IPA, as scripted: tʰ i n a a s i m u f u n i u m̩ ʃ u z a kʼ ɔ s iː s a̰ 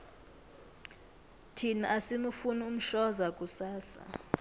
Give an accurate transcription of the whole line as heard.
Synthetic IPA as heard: tʰ i n a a s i m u f u n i u m̩ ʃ ɔ z a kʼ u s aː s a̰

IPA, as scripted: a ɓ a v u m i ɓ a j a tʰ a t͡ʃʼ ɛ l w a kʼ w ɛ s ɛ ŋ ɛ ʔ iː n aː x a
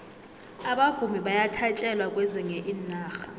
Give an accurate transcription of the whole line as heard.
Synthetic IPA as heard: a ɓ a v u m i ɓ a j a tʰ a t͡ʃʼ ɛ l w a kʼ w ɛ z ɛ ŋ ɛ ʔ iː n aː x a

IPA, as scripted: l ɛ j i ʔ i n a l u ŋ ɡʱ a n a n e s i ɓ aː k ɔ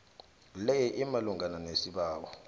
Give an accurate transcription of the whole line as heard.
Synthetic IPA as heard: l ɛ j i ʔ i m a l u ŋ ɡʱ a n a n e s i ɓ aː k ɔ

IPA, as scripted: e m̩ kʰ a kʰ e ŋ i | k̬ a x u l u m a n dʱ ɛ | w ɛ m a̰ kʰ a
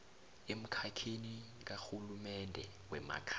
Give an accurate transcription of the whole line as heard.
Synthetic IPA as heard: e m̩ kʰ a kʰ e n i | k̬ a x u l u m ɛ n dʱ ɛ | w ɛ m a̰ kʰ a

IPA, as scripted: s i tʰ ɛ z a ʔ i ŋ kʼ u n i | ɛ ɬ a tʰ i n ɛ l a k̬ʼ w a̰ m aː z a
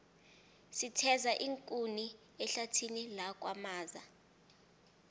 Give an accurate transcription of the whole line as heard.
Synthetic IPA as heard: s i tʰ ɛ z a ʔ i ŋ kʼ u n i | ɛ ɬ a tʰ i n i l a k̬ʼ w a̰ m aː z a

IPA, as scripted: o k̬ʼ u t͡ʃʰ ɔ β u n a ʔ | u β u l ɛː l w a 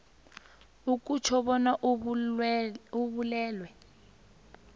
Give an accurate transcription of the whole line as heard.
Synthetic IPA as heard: u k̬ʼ u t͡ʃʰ ɔ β ɔ n a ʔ | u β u l ɛː l w ɛ

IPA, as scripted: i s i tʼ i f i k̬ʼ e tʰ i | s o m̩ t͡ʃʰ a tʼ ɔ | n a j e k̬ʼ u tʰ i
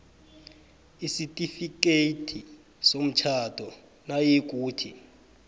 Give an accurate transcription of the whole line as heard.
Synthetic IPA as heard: i s i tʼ i f i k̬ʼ e tʰ i | s o m̩ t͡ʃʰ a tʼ ɔ | n a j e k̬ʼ uː tʰ i

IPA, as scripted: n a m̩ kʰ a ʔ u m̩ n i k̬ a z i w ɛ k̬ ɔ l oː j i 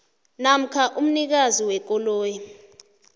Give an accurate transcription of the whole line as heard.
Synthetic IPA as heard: n a m̩ kʰ a ʔ u m̩ n i k̬ a z i w ɛ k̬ ɔ l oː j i

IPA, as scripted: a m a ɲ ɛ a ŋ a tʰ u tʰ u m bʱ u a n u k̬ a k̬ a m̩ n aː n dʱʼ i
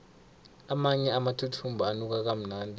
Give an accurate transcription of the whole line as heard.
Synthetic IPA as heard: a m a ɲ ɛ a m a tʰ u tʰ u m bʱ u a n u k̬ a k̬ a m̩ n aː n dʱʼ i

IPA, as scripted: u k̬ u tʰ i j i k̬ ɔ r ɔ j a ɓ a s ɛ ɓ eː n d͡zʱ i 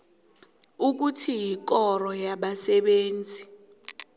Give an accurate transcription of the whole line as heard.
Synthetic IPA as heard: u k̬ u tʰ i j i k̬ ɔ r ɔ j a ɓ a s ɛ ɓ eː n d͡zʱ i

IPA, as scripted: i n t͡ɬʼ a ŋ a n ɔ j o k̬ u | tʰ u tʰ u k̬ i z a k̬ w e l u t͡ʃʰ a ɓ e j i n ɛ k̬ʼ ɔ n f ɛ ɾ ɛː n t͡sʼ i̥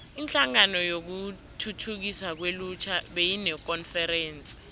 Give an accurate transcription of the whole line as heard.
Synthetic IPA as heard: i n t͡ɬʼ a ŋ a n ɔ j o k̬ u | tʰ u tʰ u k̬ i s a k̬ w e l u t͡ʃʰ a ɓ e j i n ɛ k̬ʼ ɔ n f ɛ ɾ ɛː n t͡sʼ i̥

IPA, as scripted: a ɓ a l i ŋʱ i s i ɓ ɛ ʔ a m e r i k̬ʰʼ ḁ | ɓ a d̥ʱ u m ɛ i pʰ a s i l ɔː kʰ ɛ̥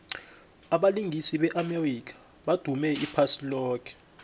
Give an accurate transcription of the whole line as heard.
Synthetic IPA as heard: a ɓ a l i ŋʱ i s i ɓ ɛ ʔ a m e r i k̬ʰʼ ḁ | ɓ a d̥ʱ u m ɛ i pʰ a s i l ɔː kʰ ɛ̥

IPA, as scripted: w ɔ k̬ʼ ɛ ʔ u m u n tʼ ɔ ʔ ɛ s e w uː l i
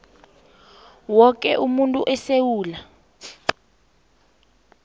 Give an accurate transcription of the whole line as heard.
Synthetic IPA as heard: w ɔ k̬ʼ ɛ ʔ u m u n tʼ u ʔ ɛ s e w uː l a

